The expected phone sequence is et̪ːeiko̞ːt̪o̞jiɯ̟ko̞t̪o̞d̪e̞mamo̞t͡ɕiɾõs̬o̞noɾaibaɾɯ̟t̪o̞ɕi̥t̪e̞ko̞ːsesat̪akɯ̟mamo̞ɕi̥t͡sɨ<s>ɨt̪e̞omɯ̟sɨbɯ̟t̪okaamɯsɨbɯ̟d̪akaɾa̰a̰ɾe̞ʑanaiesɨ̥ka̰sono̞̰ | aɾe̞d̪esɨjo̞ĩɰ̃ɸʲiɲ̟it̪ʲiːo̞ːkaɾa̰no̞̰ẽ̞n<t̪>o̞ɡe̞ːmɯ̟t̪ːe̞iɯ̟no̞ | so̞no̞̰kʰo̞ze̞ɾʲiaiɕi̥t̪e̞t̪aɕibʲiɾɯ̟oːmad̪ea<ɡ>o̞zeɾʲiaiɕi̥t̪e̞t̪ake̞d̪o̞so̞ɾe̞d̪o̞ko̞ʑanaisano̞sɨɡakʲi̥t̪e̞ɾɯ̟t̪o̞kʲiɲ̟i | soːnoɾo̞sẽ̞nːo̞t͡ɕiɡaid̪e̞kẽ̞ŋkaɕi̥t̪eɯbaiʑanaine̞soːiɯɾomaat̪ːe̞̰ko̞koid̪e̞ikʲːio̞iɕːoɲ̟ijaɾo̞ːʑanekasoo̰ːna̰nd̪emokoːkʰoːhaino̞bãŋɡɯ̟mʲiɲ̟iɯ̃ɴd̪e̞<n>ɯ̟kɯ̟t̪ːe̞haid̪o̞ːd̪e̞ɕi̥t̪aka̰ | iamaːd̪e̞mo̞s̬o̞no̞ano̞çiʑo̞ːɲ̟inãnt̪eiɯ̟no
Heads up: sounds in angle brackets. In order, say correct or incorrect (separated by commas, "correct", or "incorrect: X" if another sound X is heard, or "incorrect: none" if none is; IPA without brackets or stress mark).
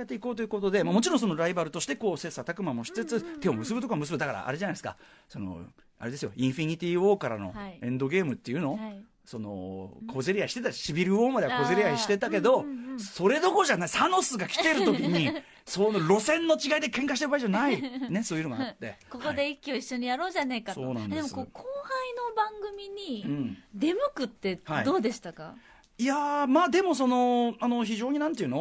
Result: incorrect: t͡s, incorrect: d̪, incorrect: k, incorrect: m